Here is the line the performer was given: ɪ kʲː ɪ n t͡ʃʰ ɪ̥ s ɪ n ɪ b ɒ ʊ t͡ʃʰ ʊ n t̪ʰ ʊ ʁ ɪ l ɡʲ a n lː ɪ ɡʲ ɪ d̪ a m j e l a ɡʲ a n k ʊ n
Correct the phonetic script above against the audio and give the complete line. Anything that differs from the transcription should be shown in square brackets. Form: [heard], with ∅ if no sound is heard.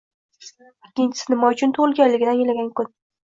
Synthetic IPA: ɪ kʲː ɪ n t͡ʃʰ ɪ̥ s ɪ n ɪ [m] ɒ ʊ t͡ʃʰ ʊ n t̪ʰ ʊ ʁ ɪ l ɡʲ a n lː ɪ ɡʲ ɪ d̪ a [n] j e l a ɡʲ a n k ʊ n